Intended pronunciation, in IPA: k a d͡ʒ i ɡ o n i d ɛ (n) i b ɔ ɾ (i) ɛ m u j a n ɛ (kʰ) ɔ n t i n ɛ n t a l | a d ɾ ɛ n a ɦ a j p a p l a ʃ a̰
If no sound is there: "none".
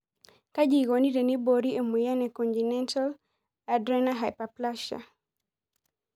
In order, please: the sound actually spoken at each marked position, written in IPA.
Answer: n, i, k

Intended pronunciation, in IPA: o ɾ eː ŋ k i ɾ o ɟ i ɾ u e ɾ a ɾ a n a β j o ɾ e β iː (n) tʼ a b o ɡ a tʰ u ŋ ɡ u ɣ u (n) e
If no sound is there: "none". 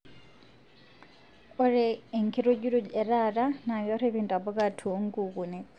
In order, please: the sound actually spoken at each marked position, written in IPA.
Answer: n, n

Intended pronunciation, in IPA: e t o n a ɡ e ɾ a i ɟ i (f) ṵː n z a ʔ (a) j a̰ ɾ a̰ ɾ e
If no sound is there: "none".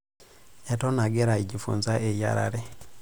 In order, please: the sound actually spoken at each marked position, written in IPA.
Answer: f, e

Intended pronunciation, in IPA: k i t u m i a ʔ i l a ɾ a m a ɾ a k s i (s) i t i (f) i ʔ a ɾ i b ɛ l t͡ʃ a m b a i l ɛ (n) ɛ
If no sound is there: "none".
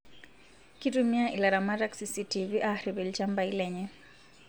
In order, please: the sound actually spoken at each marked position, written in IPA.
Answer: s, v, ɲ

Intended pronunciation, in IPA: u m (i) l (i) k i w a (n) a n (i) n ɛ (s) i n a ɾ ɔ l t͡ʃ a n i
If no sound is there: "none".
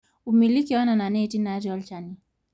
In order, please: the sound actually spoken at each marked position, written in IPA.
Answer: i, i, n, a, t

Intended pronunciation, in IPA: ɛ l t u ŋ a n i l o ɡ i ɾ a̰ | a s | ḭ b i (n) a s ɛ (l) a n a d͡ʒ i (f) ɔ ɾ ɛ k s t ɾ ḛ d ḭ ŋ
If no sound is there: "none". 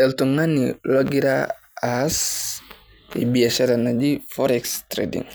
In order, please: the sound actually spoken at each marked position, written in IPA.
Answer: none, ɾ, f

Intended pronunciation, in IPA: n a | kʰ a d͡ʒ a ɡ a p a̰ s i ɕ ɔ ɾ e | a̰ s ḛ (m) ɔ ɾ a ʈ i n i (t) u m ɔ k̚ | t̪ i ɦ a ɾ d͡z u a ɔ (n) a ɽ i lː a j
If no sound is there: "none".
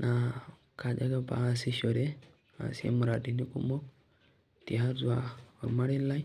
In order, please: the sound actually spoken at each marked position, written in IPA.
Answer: m, k, m

